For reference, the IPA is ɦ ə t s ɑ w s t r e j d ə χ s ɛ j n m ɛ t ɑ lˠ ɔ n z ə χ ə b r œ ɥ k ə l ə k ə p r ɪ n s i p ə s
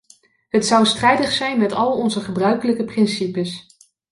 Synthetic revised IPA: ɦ ə t s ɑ w s t r ɛ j d ə χ s ɛ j n m ɛ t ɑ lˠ ɔ n z ə χ ə b r œ ɥ k ə l ə k ə p r ɪ n s i p ə s